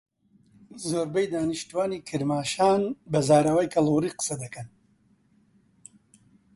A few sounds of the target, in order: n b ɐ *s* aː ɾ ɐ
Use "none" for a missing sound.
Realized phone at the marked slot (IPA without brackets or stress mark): z